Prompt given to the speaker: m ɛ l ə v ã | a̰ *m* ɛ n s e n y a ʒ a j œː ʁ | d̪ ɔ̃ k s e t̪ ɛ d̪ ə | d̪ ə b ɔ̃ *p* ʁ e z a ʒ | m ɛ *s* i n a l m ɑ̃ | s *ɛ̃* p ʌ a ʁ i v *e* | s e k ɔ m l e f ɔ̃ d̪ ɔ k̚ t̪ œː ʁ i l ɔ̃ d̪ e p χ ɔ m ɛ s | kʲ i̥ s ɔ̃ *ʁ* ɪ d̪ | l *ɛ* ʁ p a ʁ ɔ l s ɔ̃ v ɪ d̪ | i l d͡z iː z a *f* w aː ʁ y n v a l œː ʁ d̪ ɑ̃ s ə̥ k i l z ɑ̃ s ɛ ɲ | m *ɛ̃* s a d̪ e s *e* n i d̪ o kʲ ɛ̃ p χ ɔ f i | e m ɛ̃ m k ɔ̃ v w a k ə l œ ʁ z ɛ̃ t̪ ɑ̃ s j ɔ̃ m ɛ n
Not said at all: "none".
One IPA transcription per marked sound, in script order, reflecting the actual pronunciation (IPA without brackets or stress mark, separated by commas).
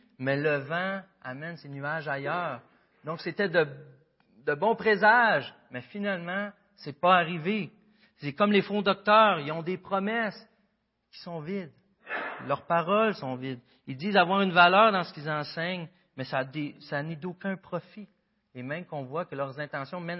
m, p, f, ɛ, e, v, œ, v, ɛ, a